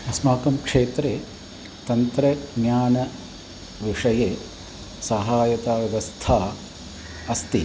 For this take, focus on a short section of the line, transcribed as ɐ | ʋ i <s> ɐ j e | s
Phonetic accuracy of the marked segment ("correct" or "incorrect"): incorrect